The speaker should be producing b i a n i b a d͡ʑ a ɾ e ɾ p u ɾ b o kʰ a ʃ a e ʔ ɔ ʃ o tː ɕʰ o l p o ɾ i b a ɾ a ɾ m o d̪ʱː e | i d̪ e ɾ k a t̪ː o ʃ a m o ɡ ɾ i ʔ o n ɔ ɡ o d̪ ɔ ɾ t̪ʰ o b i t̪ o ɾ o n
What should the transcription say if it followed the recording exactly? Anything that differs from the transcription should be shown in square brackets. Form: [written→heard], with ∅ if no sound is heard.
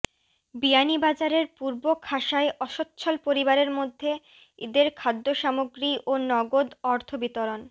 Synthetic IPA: b i a n i b a d͡ʑ a ɾ e ɾ p u ɾ b o kʰ a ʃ a e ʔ ɔ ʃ o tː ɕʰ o l p o ɾ i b a ɾ [a→e] ɾ m o d̪ʱː e | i d̪ e ɾ [k→kʰ] a [t̪ː→d̪ː] o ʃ a m o ɡ ɾ i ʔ o n ɔ ɡ o d̪ ɔ ɾ t̪ʰ o b i t̪ o ɾ o n